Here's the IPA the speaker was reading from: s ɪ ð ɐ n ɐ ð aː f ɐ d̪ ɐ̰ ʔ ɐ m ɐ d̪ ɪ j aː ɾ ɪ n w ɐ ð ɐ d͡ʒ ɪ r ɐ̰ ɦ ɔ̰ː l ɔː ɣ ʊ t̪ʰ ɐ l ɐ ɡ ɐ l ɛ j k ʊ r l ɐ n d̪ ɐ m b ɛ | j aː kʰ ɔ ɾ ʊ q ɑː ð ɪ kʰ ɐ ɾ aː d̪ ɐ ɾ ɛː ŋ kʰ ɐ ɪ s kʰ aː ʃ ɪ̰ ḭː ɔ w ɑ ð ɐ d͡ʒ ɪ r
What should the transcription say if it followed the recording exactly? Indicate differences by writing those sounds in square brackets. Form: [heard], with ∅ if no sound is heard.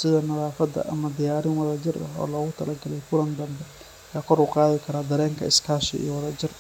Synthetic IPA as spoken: s ɪ ð ɐ n ɐ ð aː f ɐ d̪ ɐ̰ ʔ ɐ m ɐ d̪ ɪ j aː ɾ ɪ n w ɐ ð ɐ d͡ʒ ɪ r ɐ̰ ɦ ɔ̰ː l ɔː ɣ ʊ t̪ʰ ɐ l ɐ ɡ ɐ l ɛ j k ʊ [∅] l ɐ n d̪ ɐ m b ɛ | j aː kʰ ɔ ɾ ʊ q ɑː ð ɪ kʰ ɐ ɾ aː d̪ ɐ ɾ ɛː ŋ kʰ ɐ ɪ s kʰ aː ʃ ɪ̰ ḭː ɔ w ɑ ð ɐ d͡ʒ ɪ r